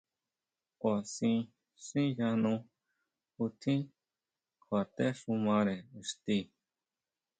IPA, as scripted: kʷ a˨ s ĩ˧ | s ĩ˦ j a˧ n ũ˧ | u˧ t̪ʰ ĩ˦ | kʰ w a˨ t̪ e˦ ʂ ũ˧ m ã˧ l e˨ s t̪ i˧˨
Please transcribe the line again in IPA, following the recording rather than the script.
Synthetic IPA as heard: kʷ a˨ s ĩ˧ | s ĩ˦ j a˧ n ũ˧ | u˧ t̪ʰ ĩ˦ | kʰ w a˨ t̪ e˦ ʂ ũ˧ m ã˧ ɾ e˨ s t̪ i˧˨

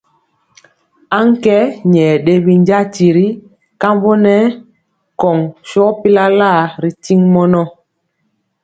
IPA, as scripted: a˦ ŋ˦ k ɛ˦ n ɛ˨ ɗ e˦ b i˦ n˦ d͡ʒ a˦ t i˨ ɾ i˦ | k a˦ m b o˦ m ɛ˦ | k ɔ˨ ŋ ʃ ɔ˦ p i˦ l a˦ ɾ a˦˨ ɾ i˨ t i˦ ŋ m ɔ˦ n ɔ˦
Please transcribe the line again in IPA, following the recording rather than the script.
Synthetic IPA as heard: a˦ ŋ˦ k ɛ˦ ɲ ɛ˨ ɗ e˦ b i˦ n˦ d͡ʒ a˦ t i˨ ɾ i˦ | k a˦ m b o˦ n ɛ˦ | k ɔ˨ ŋ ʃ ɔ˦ p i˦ l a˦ l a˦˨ ɾ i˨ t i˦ ŋ m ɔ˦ n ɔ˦

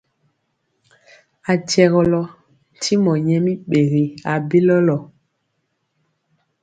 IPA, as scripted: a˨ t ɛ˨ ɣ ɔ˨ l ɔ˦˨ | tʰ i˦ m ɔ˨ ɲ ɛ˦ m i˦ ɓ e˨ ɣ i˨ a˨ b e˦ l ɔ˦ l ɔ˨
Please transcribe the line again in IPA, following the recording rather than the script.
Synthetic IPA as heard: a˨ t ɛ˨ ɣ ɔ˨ l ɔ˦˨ | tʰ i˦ m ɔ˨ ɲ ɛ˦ m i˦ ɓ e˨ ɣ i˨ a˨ b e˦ l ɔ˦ l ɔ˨

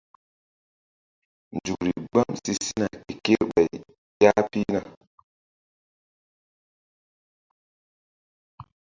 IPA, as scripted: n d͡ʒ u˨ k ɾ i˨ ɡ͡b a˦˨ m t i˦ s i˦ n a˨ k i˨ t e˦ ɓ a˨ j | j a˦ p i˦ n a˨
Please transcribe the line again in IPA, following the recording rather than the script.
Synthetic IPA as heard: n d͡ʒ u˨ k ɾ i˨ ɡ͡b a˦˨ m s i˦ s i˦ n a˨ k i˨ k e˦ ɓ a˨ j | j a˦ p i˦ n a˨

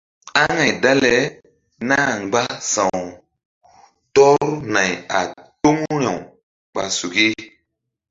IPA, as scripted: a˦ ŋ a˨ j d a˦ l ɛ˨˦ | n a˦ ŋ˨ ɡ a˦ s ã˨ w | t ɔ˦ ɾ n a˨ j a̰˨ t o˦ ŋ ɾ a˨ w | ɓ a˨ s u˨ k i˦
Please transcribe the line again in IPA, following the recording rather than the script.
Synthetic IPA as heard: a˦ ŋ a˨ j d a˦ l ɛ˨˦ | n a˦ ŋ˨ ɡ͡b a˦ s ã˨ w | t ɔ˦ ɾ n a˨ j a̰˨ t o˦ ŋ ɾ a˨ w | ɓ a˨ s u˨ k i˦

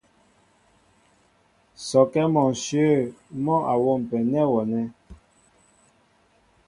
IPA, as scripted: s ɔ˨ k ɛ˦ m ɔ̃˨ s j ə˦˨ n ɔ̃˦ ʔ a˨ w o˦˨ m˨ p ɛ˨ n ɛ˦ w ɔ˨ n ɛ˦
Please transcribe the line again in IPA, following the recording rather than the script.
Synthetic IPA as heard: s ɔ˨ k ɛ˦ m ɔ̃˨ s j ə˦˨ m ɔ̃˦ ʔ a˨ w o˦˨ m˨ p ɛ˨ n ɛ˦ w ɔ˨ n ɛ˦

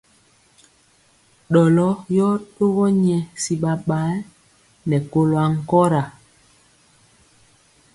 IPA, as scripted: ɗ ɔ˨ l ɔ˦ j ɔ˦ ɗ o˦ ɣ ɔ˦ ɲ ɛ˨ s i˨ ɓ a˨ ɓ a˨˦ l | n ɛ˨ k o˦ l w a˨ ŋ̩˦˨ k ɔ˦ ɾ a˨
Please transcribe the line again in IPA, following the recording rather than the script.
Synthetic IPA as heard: ɗ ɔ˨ l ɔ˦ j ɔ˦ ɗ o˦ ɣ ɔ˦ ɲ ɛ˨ s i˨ ɓ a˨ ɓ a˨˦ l | n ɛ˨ k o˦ l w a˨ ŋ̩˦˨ k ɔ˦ ɾ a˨

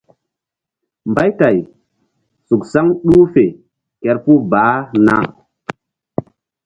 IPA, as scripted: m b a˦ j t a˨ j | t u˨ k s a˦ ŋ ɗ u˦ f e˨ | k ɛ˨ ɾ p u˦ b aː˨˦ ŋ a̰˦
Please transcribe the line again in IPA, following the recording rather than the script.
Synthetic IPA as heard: m b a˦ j t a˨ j | s u˨ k s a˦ ŋ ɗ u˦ f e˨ | k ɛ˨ ɾ p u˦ b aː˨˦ n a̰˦

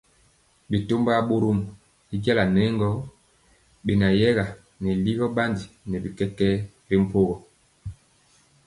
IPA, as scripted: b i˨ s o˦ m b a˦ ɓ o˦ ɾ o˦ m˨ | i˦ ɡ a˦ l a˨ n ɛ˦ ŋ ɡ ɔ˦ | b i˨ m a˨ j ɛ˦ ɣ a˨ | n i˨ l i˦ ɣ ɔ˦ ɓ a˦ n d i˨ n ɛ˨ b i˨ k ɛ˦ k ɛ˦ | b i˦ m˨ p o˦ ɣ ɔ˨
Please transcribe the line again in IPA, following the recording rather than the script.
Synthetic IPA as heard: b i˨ t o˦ m b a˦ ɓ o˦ ɾ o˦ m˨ | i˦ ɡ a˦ l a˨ n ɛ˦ ŋ ɡ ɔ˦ | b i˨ n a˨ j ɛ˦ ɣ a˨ | n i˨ l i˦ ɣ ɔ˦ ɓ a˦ n d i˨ n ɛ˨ b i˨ k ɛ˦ k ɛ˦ | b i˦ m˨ p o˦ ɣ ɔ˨

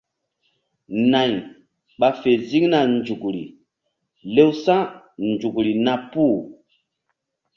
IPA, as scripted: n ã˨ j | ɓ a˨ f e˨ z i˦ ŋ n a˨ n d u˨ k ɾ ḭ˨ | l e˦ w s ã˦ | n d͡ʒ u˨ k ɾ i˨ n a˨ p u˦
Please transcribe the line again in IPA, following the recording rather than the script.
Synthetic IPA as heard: n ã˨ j | ɓ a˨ f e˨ z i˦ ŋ n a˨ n d͡ʒ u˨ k ɾ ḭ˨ | l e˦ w s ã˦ | n d͡ʒ u˨ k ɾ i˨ n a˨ p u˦

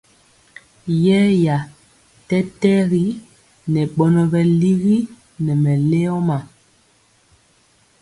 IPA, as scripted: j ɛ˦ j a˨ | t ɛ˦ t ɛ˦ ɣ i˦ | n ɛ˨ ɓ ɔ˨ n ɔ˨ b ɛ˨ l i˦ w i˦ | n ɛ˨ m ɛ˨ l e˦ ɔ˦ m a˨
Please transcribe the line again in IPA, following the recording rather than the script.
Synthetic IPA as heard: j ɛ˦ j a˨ | t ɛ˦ t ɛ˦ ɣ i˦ | n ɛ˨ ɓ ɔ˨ n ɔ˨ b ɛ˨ l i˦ ɣ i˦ | n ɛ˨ m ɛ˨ l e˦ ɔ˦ m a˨

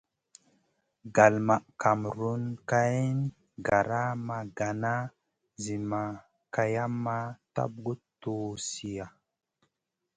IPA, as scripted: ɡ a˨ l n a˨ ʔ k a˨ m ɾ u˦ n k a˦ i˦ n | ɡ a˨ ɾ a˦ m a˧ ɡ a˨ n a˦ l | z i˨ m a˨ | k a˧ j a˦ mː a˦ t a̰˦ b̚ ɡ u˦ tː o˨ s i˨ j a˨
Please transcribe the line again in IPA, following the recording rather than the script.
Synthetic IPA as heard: ɡ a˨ l m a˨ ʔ k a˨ m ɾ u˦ n k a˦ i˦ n | ɡ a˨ ɾ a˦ m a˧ ɡ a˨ n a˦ | z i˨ m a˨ | k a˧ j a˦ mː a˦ t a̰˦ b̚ ɡ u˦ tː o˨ s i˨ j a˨

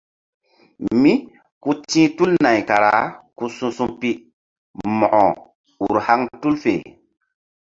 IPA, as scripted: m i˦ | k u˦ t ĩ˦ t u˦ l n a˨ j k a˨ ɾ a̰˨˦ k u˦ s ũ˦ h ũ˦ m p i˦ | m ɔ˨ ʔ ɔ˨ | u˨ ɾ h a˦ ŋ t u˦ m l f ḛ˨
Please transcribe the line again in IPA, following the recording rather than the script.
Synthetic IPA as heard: m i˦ | k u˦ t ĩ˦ t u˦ l n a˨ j k a˨ ɾ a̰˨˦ k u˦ s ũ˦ s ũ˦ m p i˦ | m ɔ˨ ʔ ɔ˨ | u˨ ɾ h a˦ ŋ t u˦ l f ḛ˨

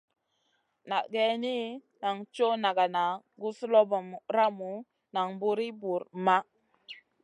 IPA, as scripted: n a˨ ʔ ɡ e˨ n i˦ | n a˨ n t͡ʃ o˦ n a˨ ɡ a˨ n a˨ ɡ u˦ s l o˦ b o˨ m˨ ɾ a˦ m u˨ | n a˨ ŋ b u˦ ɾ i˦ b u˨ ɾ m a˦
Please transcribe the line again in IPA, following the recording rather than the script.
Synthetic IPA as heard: n a˨ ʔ ɡ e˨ n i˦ | n a˨ ŋ t͡ʃ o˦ n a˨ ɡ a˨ n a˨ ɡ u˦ s l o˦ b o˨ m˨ ɾ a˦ m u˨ | n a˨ ŋ b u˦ ɾ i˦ b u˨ ɾ m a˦

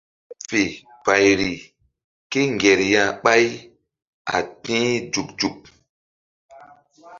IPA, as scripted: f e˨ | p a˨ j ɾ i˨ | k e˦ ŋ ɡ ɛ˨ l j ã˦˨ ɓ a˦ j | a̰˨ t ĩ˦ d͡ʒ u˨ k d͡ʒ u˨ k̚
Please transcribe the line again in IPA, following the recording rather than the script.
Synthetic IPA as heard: f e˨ | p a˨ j ɾ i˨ | k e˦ ŋ ɡ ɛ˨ ɾ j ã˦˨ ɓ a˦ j | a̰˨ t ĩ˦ d͡ʒ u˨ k d͡ʒ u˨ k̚

